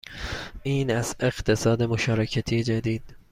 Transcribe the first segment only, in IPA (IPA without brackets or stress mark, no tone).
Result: iː